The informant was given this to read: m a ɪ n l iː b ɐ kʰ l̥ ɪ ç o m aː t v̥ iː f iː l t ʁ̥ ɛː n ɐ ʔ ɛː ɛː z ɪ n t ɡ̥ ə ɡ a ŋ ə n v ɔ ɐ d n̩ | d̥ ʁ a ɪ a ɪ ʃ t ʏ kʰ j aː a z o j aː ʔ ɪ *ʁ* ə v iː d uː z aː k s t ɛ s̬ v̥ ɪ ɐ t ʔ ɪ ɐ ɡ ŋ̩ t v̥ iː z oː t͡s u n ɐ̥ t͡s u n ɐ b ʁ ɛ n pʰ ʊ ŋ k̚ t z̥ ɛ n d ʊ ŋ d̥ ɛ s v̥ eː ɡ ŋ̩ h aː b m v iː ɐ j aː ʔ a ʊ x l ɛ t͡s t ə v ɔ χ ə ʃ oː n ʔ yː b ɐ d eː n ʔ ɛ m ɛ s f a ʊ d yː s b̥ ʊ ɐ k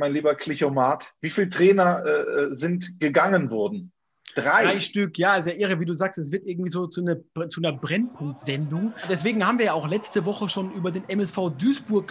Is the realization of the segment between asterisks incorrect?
no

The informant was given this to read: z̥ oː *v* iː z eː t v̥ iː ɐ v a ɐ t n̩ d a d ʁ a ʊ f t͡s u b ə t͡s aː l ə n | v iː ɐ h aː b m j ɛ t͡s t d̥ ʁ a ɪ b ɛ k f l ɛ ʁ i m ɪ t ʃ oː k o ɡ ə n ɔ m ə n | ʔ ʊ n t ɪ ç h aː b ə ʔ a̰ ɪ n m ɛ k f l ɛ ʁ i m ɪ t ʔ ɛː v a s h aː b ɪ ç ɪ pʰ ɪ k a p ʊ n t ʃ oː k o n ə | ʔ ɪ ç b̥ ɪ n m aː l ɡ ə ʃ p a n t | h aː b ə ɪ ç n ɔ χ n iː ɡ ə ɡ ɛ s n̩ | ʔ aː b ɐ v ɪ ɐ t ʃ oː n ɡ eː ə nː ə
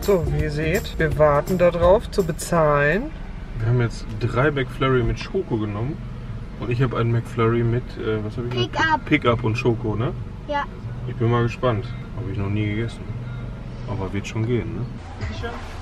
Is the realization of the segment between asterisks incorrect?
no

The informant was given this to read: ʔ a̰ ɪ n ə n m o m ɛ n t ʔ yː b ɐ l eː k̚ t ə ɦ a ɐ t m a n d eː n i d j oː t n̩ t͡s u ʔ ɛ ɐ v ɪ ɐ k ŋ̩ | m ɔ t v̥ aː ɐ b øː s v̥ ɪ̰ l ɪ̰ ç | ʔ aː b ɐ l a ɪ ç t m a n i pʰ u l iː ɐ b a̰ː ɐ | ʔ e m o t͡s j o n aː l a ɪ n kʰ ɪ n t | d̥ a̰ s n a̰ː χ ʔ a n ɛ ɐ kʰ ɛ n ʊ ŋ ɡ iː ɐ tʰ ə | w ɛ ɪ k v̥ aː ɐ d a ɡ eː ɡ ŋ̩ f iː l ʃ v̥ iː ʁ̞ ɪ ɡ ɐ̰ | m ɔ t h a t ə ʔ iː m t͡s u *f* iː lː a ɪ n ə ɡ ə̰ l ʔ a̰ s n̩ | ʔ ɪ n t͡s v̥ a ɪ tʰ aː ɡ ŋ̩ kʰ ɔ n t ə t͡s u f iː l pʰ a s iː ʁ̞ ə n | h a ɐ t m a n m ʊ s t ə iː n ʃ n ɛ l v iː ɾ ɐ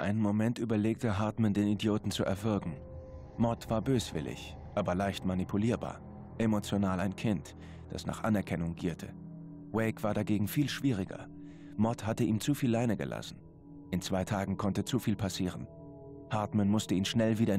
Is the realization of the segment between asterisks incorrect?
no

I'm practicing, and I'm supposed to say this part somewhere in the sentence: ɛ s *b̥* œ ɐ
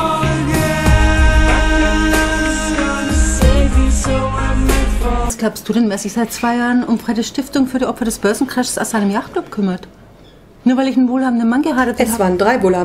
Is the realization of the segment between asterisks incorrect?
no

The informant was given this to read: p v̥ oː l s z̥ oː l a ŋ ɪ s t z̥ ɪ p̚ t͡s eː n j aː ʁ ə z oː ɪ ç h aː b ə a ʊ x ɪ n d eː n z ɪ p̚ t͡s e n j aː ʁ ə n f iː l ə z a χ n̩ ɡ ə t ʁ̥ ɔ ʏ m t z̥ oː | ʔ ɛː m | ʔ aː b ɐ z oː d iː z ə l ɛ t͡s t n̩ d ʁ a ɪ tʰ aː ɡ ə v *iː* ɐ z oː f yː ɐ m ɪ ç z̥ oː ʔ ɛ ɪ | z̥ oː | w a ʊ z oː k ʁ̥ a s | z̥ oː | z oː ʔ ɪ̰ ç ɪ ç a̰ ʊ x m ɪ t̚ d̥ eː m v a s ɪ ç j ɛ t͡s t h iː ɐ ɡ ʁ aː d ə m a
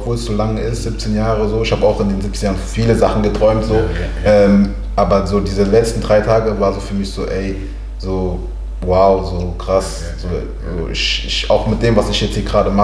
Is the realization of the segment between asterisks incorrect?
yes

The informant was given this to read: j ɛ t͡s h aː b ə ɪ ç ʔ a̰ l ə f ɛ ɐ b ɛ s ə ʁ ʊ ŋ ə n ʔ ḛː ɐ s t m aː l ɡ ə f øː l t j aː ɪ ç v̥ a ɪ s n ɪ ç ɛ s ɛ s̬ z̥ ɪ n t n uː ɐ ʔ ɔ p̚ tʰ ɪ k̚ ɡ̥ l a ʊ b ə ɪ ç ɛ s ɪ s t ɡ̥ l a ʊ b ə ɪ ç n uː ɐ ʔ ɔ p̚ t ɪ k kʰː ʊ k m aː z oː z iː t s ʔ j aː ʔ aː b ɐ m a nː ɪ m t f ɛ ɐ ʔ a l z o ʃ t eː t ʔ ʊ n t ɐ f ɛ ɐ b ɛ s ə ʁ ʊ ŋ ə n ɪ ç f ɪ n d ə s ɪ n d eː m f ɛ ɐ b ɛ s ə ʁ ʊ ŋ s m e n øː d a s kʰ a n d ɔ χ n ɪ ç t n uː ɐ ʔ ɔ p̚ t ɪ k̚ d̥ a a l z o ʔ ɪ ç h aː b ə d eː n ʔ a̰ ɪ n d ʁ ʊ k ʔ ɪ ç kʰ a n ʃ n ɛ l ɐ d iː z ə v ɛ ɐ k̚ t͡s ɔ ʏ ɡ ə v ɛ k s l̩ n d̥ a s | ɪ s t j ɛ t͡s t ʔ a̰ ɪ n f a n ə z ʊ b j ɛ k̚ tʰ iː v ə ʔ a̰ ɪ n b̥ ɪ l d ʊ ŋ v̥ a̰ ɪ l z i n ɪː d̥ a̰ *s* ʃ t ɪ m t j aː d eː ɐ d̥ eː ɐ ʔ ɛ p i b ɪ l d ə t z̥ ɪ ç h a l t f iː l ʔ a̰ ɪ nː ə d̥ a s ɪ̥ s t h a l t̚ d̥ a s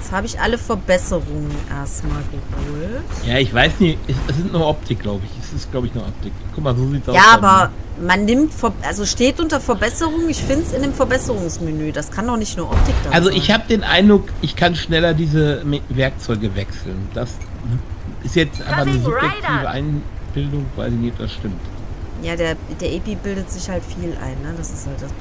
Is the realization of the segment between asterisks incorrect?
no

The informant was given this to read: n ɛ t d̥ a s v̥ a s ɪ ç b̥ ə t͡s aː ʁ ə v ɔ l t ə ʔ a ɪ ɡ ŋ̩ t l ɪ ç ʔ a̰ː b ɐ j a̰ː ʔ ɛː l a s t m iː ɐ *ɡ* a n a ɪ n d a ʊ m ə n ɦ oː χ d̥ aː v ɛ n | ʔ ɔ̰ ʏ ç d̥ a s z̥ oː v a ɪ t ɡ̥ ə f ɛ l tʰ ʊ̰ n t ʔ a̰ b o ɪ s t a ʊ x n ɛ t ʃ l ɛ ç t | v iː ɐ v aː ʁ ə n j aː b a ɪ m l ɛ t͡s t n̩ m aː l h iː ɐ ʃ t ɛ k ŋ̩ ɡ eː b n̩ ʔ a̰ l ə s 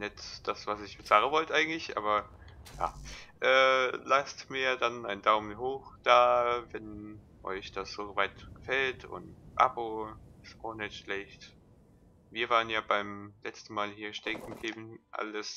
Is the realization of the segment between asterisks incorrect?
yes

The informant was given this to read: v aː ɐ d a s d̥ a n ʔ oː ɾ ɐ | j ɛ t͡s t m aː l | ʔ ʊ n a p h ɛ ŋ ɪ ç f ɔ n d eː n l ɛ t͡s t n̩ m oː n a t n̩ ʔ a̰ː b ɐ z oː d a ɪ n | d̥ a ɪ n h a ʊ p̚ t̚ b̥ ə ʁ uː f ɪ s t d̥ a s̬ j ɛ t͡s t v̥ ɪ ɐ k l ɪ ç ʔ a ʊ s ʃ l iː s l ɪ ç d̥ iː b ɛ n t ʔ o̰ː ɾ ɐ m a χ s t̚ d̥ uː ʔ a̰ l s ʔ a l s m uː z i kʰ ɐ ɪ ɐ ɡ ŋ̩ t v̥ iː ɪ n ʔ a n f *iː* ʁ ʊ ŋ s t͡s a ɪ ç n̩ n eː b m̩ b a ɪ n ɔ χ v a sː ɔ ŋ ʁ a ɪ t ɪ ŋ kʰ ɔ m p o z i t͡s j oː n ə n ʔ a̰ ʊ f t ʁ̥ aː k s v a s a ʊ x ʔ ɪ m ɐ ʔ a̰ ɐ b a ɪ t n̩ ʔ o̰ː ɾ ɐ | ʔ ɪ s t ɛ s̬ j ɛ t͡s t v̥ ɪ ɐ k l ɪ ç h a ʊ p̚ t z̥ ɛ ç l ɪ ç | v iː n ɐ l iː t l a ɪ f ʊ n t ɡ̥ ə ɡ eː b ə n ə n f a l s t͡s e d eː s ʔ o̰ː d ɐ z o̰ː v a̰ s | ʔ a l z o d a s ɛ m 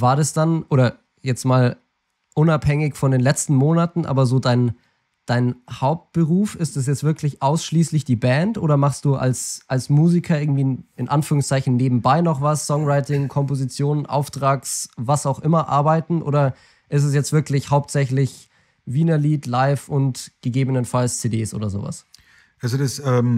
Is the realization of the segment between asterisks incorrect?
yes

